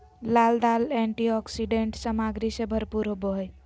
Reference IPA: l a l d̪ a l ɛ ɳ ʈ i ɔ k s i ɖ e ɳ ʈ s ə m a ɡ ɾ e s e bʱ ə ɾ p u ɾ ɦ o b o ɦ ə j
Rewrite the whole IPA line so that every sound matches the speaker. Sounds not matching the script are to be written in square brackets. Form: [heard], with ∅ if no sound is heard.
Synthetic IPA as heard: l a l d̪ a l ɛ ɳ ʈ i ɔ k s i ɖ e ɳ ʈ s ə m a ɡ ɾ [i] s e bʱ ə ɾ p u ɾ ɦ o b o ɦ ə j